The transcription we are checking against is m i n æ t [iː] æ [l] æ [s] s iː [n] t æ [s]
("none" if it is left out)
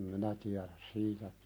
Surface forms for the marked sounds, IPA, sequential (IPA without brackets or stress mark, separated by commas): i, ɾ, s, none, none